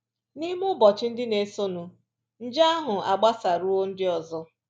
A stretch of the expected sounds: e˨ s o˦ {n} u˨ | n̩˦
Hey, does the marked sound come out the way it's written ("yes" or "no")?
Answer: yes